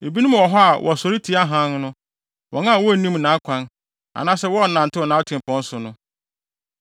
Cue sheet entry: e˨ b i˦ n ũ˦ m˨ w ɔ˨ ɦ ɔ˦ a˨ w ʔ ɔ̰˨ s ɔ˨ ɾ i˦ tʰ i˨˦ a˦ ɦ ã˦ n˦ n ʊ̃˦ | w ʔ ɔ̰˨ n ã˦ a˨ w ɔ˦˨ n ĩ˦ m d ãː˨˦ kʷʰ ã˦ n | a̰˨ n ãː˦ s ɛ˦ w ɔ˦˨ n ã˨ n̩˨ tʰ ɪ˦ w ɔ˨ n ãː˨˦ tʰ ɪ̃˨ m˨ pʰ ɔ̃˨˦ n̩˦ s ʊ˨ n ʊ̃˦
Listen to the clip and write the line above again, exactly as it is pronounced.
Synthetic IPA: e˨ b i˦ n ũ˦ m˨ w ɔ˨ ɦ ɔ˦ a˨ w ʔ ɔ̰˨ s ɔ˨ ɾ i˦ tʰ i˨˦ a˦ ɦ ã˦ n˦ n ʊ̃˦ | w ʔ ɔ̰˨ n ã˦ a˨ w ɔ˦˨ n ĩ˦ m n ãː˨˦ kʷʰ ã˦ n | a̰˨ n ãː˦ s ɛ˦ w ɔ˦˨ n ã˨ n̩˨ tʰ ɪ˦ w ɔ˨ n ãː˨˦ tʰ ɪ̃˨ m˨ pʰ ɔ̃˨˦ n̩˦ s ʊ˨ n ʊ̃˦